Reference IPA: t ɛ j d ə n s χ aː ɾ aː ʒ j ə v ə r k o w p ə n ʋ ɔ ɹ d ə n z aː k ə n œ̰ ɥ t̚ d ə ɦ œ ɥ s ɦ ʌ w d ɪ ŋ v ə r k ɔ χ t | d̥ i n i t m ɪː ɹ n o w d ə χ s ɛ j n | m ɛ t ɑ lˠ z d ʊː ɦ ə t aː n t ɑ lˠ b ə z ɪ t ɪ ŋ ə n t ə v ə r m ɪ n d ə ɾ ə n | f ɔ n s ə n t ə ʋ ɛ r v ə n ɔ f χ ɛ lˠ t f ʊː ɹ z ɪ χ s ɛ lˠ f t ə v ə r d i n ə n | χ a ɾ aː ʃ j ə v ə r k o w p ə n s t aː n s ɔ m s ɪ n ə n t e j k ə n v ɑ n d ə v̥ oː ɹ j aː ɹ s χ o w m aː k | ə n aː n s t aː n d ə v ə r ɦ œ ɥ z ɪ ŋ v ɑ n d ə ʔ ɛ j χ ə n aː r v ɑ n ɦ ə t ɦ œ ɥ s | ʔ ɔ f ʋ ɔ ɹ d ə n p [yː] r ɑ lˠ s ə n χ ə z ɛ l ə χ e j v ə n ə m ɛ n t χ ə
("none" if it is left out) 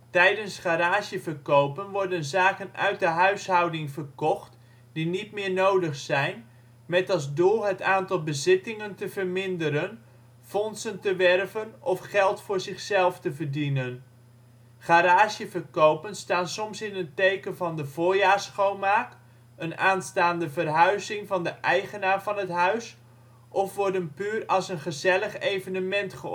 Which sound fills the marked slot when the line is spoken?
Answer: yː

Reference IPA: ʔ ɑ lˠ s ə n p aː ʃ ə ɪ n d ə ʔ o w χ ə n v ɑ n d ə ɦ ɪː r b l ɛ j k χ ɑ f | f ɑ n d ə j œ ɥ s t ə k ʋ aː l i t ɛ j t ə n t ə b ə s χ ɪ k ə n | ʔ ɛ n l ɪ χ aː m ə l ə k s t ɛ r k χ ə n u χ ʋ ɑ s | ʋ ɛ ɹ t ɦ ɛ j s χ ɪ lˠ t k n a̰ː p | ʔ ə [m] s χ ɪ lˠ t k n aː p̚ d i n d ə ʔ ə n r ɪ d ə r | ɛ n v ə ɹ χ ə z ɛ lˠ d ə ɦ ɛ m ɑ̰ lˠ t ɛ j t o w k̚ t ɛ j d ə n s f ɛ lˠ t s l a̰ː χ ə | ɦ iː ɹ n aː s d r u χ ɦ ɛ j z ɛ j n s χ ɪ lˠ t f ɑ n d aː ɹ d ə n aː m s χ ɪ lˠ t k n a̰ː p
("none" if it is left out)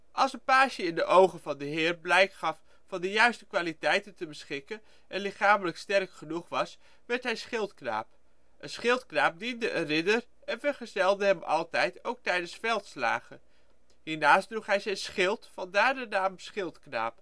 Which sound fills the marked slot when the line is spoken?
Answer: n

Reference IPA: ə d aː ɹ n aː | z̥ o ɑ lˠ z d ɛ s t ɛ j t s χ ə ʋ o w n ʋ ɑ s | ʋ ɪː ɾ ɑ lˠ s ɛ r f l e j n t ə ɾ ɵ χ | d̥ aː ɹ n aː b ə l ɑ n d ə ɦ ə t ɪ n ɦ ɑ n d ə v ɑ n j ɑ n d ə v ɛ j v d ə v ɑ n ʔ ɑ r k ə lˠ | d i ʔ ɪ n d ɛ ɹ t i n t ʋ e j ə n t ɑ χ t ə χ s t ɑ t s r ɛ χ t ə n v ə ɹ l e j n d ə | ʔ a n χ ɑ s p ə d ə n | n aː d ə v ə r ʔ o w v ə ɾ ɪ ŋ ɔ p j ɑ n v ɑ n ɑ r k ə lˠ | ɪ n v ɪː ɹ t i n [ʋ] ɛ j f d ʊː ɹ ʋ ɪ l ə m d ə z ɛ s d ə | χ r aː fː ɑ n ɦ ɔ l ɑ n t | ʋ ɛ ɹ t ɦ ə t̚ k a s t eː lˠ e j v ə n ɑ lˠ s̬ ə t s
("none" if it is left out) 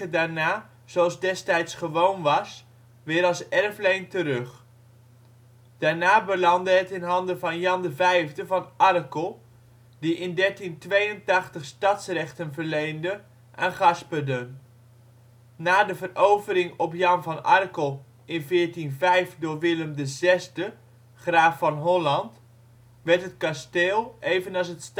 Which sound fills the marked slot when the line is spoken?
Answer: v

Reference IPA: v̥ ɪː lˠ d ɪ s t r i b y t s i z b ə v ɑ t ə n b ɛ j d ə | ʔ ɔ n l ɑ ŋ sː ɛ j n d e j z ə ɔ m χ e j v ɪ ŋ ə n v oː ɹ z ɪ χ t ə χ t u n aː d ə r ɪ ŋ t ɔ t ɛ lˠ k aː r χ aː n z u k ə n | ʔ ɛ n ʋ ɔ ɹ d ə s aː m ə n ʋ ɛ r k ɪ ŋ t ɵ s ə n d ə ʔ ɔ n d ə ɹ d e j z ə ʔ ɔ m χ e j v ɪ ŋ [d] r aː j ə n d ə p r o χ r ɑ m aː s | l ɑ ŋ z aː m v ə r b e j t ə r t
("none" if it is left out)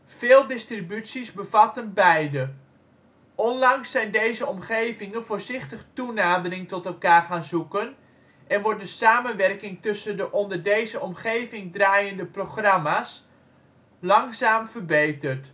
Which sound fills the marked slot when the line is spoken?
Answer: d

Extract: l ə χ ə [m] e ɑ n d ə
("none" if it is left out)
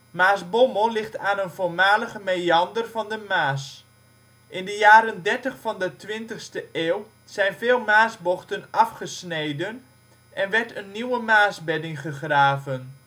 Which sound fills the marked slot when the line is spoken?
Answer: m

